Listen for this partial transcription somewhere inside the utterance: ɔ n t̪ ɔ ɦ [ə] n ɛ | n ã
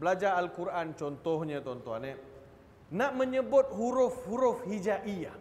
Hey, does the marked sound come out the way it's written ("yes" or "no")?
no